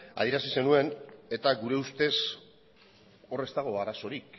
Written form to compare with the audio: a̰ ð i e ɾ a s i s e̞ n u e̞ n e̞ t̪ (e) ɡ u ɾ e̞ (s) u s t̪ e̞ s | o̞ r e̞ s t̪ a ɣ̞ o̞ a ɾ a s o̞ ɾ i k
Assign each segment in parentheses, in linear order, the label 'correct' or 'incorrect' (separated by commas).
incorrect, incorrect